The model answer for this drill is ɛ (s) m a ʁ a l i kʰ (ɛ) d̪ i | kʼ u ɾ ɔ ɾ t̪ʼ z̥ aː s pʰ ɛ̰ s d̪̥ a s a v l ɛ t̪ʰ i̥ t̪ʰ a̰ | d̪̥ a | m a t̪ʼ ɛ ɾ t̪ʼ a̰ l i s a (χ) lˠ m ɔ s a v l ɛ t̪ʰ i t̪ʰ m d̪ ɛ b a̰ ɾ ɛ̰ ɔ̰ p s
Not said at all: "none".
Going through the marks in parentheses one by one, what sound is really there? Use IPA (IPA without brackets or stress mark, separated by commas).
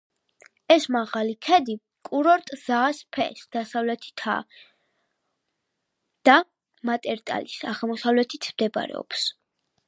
s, ɛ, ʁ